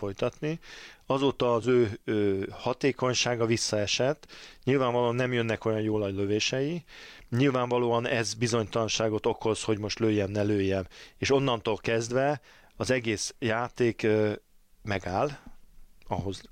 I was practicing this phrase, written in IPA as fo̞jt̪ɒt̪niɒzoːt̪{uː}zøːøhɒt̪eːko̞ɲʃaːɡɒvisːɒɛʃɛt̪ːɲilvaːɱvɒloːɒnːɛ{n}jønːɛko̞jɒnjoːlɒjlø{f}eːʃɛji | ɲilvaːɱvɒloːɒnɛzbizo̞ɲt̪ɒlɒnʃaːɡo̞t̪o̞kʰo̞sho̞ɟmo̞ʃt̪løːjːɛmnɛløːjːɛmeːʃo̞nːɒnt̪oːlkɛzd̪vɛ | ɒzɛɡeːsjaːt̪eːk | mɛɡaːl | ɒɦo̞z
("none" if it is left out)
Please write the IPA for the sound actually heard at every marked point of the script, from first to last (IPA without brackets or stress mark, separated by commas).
ɒː, m, v